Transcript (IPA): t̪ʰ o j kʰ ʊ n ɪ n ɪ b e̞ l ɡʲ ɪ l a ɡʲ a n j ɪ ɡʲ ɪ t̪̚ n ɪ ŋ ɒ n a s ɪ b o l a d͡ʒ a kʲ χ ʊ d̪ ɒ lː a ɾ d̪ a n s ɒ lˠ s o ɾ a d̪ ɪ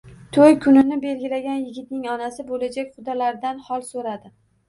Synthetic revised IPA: t̪ʰ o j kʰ ʊ n ɪ n ɪ b e̞ l ɡʲ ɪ l a ɡʲ a n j ɪ ɡʲ ɪ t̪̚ n ɪ ŋ ɒ n a s ɪ b o l a d͡ʒ a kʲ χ ʊ d̪ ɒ l a ɾ d̪ a n h ɒ lˠ s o ɾ a d̪ ɪ